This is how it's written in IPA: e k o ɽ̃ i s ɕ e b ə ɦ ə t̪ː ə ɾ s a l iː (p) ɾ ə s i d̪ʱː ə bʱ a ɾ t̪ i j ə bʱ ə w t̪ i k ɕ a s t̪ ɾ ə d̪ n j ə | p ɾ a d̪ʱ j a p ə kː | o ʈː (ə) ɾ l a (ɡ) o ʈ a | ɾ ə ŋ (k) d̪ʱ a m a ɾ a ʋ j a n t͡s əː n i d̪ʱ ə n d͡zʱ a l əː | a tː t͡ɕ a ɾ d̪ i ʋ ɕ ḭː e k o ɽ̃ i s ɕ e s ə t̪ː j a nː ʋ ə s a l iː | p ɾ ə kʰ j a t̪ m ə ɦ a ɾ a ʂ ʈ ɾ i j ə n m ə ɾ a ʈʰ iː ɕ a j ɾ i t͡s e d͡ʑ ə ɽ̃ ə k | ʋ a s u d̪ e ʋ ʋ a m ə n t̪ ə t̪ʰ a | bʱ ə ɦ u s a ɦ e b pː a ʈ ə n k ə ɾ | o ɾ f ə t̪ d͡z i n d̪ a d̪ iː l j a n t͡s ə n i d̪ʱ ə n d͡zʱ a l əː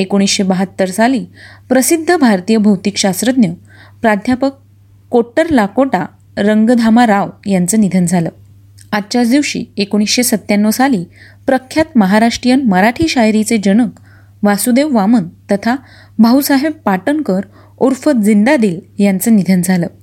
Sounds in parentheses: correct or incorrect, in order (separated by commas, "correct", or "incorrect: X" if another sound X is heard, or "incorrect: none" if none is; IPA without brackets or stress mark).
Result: correct, correct, incorrect: k, incorrect: ɡ